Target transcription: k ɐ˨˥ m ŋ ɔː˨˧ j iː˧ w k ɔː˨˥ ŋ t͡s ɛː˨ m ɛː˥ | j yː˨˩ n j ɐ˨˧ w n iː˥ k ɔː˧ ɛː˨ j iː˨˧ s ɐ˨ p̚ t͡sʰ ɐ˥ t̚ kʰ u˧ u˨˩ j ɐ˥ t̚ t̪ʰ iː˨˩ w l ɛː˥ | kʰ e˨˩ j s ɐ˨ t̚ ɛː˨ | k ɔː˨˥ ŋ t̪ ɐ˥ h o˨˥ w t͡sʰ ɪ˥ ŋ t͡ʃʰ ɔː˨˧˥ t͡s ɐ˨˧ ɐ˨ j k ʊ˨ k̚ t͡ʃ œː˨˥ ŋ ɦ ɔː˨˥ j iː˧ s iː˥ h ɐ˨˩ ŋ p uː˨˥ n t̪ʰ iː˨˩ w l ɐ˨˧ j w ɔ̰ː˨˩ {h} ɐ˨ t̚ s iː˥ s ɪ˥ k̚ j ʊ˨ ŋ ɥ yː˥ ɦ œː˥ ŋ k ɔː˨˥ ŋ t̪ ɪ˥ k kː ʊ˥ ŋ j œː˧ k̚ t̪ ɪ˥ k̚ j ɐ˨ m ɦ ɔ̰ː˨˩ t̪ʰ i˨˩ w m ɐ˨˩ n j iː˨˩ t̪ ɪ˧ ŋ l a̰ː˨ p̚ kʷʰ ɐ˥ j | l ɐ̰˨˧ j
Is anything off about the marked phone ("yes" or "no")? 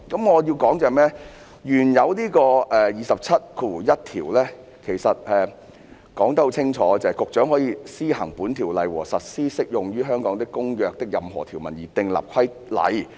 yes